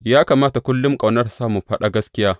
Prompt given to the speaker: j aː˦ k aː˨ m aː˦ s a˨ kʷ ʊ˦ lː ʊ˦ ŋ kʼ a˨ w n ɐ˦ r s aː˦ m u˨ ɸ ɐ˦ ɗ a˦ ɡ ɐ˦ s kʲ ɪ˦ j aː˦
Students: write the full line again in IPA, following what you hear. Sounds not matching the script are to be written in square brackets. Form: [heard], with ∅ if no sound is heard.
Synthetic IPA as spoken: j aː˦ k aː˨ m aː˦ [t] a˨ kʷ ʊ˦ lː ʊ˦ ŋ kʼ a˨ w n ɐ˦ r s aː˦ m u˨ ɸ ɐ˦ ɗ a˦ ɡ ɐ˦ s kʲ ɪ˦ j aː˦